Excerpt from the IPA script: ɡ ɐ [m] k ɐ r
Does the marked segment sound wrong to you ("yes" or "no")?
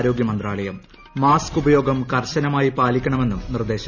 no